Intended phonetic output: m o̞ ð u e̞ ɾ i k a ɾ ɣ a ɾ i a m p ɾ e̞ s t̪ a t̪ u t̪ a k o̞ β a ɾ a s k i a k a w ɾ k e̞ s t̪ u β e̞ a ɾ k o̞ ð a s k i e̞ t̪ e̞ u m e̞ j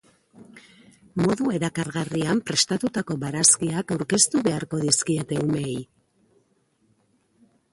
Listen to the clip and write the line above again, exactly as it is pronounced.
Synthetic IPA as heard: m o̞ ð u e̞ ɾ a k a ɾ ɣ a r i a m p ɾ e̞ s t̪ a t̪ u t̪ a k o̞ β a ɾ a s k i a k a w ɾ k e̞ s t̪ u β e̞ a ɾ k o̞ ð i s k i e̞ t̪ e̞ u m e̞ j